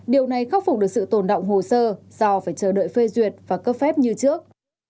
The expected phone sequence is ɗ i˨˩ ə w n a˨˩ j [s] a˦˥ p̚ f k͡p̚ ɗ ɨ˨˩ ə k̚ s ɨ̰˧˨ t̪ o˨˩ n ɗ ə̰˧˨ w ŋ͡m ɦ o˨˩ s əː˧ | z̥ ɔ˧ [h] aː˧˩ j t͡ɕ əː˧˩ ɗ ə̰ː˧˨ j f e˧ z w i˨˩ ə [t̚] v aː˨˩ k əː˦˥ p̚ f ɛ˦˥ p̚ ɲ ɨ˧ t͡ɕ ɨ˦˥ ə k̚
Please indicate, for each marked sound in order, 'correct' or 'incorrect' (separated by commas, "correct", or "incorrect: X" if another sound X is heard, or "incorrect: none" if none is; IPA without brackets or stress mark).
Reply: incorrect: x, incorrect: f, correct